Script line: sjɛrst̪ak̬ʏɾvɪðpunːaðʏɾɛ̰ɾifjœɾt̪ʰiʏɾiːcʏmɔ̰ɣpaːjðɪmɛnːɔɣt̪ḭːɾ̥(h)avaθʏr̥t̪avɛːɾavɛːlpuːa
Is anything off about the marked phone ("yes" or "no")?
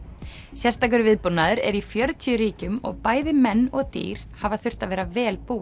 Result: no